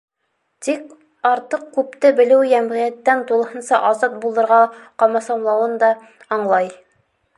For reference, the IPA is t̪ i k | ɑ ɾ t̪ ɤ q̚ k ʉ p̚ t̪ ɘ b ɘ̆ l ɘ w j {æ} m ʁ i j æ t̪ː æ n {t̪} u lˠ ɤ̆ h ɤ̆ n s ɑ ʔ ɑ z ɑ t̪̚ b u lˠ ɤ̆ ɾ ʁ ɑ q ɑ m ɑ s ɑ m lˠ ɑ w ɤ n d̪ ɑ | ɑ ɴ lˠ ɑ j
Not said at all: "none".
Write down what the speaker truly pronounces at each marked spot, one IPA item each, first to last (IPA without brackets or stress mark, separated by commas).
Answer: æ, t̪